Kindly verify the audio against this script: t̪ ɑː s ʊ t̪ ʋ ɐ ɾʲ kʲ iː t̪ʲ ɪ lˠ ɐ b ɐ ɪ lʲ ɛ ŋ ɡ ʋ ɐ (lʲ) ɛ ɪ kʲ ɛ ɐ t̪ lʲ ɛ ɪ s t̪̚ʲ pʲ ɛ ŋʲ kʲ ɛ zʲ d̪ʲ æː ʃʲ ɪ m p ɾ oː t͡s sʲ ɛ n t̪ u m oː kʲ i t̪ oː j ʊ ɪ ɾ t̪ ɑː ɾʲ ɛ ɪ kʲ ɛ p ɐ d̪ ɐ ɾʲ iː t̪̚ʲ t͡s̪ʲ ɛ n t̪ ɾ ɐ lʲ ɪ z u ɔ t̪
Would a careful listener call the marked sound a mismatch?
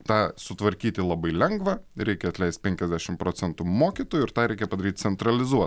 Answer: yes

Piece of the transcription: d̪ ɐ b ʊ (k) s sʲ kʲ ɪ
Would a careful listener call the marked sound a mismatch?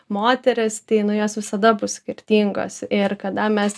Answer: yes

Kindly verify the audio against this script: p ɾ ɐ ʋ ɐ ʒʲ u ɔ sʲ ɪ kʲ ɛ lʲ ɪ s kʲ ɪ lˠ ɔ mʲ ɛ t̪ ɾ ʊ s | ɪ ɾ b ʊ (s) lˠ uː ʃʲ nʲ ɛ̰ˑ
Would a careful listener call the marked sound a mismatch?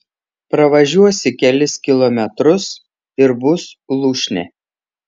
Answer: no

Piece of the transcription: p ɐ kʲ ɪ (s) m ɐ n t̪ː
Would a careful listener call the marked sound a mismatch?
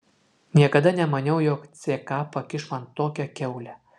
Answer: yes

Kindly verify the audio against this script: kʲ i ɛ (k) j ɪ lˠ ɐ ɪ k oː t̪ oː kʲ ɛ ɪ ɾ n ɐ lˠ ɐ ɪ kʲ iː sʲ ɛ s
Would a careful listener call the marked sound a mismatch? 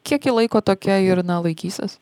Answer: no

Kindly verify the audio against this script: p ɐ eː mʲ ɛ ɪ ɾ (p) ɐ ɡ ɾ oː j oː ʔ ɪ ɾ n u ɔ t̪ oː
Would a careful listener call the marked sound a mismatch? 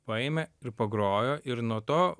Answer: no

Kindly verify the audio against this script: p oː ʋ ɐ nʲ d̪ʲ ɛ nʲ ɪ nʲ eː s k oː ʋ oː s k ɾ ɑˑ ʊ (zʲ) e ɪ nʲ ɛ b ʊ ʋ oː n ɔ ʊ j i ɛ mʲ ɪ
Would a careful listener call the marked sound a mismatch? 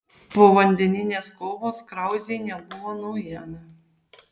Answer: no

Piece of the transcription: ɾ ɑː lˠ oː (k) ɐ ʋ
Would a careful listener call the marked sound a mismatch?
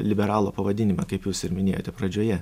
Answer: yes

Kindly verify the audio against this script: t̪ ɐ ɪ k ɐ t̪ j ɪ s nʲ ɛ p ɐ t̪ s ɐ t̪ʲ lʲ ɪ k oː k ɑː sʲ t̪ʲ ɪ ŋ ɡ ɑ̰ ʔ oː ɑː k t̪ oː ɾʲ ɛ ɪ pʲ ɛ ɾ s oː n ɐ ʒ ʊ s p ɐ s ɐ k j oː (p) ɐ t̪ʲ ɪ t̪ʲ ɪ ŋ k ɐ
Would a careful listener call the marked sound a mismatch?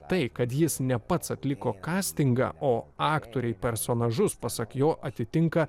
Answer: yes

